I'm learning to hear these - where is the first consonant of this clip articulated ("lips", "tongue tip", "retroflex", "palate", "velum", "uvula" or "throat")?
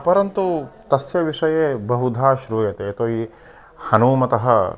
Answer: lips